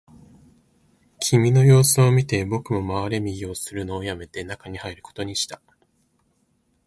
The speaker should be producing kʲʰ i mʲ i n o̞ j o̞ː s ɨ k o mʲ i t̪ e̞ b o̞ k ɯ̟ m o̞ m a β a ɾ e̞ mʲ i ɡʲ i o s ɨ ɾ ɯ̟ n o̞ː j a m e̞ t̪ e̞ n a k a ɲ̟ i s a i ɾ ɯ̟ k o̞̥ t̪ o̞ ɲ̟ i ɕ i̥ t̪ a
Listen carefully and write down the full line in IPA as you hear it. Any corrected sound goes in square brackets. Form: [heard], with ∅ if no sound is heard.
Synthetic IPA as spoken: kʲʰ i mʲ i n o̞ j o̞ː s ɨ [∅] o mʲ i t̪ e̞ b o̞ k ɯ̟ m o̞ m a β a ɾ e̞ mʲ i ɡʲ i o s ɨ ɾ ɯ̟ n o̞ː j a m e̞ t̪ e̞ n a k a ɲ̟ i [h] a i ɾ ɯ̟ k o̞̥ t̪ o̞ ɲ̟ i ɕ i̥ t̪ a